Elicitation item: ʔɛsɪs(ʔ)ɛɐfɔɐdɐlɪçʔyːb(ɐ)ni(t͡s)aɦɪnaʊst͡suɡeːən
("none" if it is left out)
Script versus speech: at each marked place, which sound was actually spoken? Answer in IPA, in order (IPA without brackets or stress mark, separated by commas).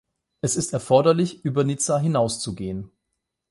t, ɐ, t͡s